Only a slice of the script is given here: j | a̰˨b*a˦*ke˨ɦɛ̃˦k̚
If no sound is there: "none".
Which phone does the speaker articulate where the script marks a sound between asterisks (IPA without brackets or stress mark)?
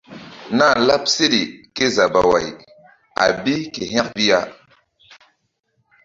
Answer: i˦